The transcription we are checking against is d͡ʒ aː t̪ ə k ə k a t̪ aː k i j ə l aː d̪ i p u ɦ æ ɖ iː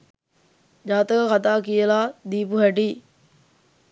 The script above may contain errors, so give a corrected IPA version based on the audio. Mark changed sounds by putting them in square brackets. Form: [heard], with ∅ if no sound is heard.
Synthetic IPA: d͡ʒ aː t̪ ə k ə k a t̪ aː k i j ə l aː d̪ [iː] p u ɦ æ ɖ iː

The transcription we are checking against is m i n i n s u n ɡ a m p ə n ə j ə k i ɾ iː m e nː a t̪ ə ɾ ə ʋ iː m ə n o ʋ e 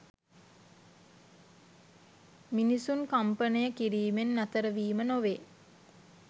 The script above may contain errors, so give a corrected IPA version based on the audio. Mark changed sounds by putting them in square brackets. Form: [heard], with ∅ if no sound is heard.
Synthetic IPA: m i n i [∅] s u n [k] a m p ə n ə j ə k i ɾ iː m e nː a t̪ ə ɾ ə ʋ iː m ə n o ʋ e

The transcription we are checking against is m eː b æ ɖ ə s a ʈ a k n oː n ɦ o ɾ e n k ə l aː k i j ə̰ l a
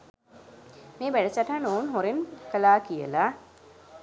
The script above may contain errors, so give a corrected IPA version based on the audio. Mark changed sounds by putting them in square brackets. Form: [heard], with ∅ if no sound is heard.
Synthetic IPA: m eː b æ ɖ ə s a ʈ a [∅] n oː n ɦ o ɾ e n k ə l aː k i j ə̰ l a

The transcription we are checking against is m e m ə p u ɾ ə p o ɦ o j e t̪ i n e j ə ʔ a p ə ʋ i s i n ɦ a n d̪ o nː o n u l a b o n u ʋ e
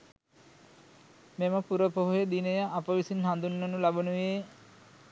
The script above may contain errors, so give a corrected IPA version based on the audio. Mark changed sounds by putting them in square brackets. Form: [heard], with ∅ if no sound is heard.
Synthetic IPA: m e m ə p u ɾ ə p o ɦ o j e [d̪] i n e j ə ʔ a p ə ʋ i s i n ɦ a n d̪ [u] nː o n u l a b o n u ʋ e

